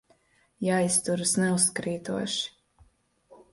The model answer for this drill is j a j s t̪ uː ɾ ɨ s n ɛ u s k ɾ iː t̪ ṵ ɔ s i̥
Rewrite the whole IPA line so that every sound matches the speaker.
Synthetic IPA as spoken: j a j s t̪ u ɾ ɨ s n ɛ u s k ɾ iː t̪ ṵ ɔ ʃ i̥